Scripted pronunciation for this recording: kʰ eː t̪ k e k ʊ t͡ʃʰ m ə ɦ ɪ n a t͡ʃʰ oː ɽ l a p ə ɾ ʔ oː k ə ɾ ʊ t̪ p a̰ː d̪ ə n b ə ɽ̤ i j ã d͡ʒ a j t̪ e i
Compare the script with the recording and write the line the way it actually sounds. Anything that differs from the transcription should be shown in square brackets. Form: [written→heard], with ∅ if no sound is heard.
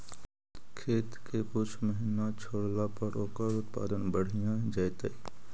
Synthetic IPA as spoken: kʰ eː t̪ k e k ʊ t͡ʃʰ m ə ɦ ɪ n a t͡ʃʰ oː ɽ l a p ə ɾ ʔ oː k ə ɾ ʊ t̪ p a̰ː d̪ ə n b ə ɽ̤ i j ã d͡ʒ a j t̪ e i